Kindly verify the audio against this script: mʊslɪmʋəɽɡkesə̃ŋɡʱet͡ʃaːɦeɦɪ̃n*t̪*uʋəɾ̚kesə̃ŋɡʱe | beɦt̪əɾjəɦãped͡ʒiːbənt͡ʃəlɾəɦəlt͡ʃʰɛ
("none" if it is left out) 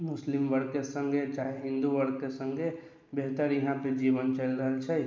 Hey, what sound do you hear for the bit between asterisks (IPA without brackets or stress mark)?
d̪